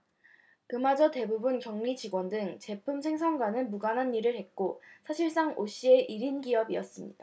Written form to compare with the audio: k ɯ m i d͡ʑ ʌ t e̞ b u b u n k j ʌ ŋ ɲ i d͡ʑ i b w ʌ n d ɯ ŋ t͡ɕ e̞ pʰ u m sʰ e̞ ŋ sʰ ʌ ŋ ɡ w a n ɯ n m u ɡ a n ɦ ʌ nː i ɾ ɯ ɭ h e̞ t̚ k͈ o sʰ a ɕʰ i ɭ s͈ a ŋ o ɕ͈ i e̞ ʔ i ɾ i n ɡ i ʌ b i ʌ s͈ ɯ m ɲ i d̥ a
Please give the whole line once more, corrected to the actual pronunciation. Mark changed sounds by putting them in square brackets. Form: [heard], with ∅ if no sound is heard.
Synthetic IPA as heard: k ɯ m [a] d͡ʑ ʌ t e̞ b u b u n k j ʌ ŋ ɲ i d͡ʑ i [ɡ] w ʌ n d ɯ ŋ t͡ɕ e̞ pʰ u m sʰ e̞ ŋ sʰ ʌ ŋ ɡ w a n ɯ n m u ɡ a n ɦ [a] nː i ɾ ɯ ɭ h e̞ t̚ k͈ o sʰ a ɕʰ i ɭ s͈ a ŋ o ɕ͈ i e̞ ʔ i ɾ i n ɡ i ʌ b i ʌ s͈ ɯ m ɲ i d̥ a